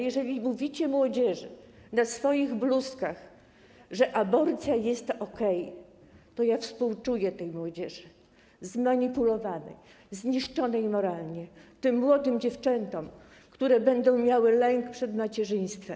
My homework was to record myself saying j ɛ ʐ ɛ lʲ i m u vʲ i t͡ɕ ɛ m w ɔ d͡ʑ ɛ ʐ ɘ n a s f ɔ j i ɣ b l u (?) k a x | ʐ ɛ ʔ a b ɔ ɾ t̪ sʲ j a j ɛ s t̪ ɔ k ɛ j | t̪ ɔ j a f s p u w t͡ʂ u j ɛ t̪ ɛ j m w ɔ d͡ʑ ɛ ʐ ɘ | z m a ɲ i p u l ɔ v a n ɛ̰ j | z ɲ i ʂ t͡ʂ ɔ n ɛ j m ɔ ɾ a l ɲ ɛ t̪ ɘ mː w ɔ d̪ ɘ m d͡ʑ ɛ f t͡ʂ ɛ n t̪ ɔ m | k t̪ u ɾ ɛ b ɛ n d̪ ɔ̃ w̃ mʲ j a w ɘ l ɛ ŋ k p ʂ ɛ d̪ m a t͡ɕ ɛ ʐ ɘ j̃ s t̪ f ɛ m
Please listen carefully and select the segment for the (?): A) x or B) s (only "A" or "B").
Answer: B